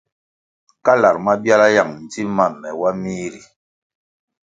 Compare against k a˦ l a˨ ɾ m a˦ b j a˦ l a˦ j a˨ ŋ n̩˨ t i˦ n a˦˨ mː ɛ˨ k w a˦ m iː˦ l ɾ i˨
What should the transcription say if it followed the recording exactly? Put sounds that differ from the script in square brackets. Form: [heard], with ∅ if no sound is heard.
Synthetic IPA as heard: k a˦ l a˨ ɾ m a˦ b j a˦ l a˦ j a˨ ŋ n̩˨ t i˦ [m] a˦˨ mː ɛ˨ [∅] w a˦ m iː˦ [∅] ɾ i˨